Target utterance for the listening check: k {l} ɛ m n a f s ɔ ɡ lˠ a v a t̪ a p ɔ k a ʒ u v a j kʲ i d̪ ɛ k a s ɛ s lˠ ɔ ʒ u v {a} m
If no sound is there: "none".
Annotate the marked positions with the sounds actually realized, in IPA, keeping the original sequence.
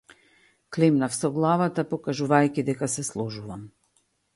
l, a

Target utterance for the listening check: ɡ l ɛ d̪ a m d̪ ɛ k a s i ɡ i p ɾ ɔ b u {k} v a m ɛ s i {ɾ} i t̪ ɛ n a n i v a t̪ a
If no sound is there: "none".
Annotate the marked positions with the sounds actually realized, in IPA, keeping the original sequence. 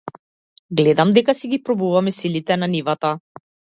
none, l

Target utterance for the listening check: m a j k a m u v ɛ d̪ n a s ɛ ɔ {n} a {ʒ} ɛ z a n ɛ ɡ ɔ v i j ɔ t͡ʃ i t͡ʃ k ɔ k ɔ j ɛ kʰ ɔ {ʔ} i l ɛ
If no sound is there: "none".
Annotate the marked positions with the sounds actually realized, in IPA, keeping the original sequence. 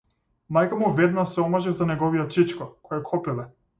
m, ʒ, p

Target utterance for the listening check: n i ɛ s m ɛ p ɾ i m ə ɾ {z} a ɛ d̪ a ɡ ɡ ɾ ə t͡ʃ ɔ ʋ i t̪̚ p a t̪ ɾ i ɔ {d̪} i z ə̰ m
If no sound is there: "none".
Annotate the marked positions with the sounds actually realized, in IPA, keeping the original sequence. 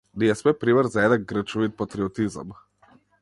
z, t̪

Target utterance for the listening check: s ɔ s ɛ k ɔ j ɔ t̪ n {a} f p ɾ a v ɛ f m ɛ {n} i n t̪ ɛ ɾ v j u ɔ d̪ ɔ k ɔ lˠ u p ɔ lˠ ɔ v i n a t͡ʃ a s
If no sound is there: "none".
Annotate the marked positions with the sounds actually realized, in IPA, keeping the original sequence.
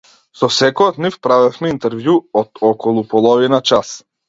i, none

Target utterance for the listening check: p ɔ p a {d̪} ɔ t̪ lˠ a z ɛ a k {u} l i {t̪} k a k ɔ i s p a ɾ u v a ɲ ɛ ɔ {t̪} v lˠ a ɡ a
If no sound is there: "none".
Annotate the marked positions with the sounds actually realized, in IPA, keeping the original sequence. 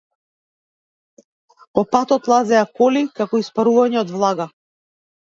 t̪, ɔ, none, d̪

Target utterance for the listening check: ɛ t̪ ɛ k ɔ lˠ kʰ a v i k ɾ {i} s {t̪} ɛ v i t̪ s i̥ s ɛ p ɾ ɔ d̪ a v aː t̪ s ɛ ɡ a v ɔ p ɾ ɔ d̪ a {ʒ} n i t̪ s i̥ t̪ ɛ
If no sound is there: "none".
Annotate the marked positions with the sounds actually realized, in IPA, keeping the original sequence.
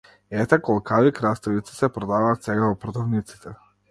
a, t̪, v

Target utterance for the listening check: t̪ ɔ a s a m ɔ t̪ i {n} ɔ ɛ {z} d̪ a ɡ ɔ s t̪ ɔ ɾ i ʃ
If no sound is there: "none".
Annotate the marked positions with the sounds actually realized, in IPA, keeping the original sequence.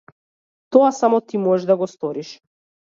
m, ʒ

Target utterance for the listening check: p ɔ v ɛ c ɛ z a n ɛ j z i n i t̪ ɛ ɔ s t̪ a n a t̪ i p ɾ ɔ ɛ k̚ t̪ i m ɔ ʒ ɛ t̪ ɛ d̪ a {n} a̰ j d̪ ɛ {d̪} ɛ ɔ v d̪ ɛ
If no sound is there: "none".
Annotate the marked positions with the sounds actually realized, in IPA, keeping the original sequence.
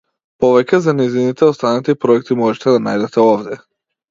n, t̪

